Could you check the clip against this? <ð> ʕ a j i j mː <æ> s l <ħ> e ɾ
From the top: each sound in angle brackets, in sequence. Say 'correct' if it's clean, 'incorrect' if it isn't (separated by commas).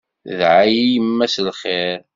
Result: correct, correct, incorrect